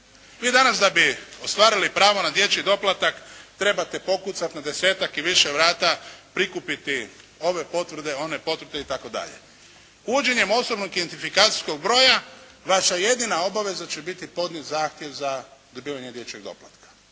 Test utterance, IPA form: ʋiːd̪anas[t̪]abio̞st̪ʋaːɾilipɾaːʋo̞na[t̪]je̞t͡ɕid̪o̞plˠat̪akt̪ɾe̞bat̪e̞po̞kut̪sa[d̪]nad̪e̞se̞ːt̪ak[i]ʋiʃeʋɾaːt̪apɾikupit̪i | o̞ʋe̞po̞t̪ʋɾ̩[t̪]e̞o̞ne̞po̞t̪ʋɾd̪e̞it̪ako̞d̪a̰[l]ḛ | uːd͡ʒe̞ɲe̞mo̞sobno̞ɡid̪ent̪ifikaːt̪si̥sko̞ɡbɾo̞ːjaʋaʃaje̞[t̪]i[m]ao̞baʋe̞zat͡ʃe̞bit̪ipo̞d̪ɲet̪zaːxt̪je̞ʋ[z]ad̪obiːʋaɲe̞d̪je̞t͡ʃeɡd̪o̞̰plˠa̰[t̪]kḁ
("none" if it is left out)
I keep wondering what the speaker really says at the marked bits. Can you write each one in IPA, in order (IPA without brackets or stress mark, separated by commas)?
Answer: d̪, d̪, t̪, i, d̪, ʎ, d̪, n, z, t̪